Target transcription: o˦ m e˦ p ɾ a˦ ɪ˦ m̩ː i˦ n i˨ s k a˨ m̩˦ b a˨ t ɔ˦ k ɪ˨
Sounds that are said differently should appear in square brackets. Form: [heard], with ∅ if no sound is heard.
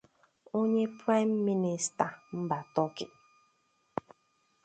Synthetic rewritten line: o˦ [ɲ] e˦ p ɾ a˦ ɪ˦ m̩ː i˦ n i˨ s [t] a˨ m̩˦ b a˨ t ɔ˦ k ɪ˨